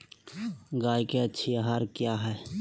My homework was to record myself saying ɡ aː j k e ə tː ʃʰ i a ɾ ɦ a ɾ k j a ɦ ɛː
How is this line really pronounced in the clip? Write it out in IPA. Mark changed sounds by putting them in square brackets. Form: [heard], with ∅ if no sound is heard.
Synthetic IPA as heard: ɡ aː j k e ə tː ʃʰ i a [∅] ɦ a ɾ k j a ɦ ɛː